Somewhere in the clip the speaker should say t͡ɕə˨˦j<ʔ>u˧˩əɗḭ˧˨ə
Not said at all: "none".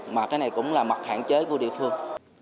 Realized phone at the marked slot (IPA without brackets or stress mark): k